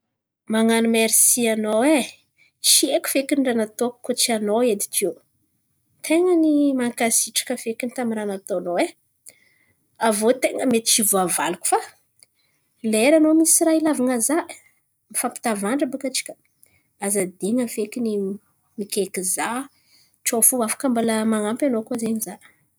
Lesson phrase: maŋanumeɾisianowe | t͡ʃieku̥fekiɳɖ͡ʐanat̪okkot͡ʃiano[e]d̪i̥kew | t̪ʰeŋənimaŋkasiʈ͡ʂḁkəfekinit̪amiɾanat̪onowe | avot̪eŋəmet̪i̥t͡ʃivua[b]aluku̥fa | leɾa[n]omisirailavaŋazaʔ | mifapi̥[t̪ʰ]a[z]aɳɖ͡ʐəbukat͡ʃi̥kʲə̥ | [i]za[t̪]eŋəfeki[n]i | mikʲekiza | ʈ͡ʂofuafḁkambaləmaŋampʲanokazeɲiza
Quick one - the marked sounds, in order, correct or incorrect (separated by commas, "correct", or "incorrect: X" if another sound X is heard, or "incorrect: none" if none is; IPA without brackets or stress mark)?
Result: correct, incorrect: v, correct, incorrect: t̪, incorrect: v, incorrect: a, incorrect: d̪, correct